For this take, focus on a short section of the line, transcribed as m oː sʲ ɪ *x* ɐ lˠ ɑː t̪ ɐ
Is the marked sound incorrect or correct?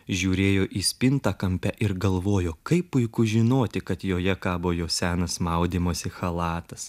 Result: correct